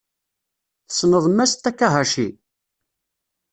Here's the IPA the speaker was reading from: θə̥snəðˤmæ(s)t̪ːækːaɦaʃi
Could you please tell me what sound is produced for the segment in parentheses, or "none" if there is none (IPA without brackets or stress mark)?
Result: s